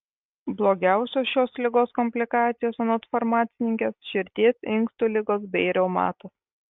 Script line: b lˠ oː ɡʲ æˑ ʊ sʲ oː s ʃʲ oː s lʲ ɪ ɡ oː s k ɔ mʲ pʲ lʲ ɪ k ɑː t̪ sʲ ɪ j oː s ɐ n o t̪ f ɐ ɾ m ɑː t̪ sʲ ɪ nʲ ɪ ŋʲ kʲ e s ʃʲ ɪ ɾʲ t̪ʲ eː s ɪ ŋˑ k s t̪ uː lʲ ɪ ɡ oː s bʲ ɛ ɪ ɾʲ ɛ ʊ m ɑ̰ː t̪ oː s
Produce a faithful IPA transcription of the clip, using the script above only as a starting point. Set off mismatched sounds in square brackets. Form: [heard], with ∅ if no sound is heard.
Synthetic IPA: b lˠ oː ɡʲ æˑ ʊ sʲ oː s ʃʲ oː s lʲ ɪ ɡ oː s k ɔ mʲ pʲ lʲ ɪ k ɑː t̪ sʲ ɪ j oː s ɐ n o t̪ f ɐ ɾ m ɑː t̪ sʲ ɪ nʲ ɪ ŋʲ kʲ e s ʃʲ ɪ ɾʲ t̪ʲ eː s ɪ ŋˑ k s t̪ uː lʲ ɪ ɡ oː s bʲ ɛ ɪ ɾʲ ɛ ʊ m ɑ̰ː t̪ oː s

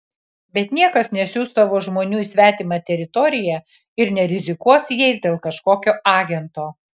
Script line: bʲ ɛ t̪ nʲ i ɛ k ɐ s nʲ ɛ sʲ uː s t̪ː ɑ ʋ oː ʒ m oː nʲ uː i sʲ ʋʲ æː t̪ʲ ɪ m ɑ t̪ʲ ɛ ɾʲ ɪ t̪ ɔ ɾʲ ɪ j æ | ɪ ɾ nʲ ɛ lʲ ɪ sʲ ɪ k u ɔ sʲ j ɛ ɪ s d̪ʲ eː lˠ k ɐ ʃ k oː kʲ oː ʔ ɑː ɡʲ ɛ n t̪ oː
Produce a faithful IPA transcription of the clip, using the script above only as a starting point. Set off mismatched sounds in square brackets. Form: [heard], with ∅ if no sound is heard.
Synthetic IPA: bʲ ɛ t̪ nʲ i ɛ k ɐ s nʲ ɛ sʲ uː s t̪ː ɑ ʋ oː ʒ m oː nʲ uː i sʲ ʋʲ æː t̪ʲ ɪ m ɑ t̪ʲ ɛ ɾʲ ɪ t̪ ɔ ɾʲ ɪ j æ | ɪ ɾ nʲ ɛ [ɾʲ] ɪ [zʲ] ɪ k u ɔ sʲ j ɛ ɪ s d̪ʲ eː lˠ k ɐ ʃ k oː kʲ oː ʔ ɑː ɡʲ ɛ n t̪ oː

